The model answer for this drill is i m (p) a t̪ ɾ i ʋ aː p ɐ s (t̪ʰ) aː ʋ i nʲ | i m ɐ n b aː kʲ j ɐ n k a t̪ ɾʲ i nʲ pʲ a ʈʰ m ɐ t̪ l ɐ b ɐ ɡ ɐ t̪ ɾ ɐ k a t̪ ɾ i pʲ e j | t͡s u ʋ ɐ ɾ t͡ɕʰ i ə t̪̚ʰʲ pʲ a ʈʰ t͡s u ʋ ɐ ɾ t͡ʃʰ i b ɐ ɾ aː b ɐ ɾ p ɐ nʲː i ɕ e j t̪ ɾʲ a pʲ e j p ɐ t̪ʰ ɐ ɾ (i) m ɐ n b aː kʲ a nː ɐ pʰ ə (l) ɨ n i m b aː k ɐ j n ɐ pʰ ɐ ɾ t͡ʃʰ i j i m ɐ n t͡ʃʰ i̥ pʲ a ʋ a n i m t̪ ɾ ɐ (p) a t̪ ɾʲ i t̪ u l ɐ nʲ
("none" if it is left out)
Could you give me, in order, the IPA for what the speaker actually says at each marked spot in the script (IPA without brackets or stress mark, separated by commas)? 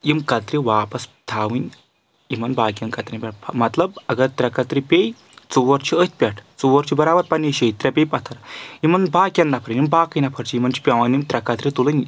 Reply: k, t̪ʰ, i, ɾ, k